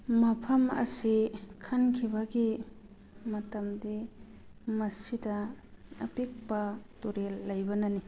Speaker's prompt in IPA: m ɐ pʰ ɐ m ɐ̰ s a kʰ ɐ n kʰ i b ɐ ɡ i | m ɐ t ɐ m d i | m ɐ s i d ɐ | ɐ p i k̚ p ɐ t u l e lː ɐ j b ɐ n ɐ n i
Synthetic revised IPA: m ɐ pʰ ɐ m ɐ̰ s i kʰ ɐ n kʰ i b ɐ ɡ i | m ɐ t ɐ m d i | m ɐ s i d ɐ | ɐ p i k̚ p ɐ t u ɾ e lː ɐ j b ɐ n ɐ n i